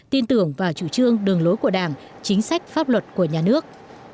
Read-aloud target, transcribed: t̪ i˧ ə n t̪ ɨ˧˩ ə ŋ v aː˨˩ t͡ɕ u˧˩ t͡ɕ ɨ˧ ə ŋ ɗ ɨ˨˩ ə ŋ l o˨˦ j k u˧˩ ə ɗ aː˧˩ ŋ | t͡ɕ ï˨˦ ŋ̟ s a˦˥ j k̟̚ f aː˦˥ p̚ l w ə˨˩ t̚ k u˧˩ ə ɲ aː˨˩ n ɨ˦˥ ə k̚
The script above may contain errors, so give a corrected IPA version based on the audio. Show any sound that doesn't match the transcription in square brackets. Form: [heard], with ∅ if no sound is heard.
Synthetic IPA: t̪ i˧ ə n t̪ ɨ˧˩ ə ŋ v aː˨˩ t͡ɕ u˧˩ t͡ɕ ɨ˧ ə ŋ ɗ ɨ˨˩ ə ŋ l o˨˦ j k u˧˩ ə ɗ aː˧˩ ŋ | t͡ɕ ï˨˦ ŋ̟ s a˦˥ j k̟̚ f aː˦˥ p̚ l w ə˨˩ t̚ k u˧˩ ə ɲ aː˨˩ n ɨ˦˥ ə k̚